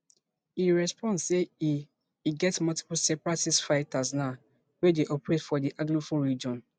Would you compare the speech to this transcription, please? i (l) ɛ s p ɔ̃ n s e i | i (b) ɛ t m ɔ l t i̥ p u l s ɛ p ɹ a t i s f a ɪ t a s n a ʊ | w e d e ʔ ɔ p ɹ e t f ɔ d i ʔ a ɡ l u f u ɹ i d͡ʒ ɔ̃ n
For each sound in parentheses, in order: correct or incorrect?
incorrect, incorrect

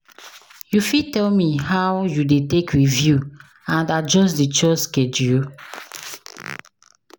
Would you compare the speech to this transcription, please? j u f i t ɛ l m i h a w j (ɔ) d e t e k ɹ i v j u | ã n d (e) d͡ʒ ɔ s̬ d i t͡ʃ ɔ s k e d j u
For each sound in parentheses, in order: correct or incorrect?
incorrect, incorrect

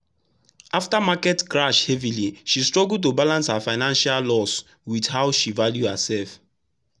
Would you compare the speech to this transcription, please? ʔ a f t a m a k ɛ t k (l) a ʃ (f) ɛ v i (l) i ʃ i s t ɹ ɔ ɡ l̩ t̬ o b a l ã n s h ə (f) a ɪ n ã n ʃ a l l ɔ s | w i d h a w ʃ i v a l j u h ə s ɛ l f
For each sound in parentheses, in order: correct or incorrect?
incorrect, incorrect, correct, correct

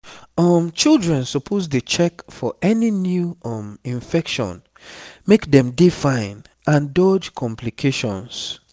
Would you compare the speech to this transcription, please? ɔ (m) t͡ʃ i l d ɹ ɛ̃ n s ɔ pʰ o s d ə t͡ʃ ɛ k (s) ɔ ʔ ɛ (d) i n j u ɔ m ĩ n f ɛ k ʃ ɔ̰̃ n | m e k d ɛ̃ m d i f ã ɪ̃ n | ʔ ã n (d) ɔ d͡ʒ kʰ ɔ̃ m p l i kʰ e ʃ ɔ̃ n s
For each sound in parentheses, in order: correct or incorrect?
correct, incorrect, incorrect, correct

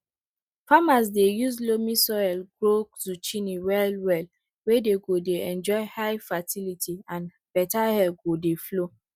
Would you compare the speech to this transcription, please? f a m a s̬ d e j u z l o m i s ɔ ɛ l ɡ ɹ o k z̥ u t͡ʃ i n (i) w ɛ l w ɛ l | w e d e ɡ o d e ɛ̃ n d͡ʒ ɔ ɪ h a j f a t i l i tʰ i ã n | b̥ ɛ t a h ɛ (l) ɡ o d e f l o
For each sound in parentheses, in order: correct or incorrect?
correct, correct

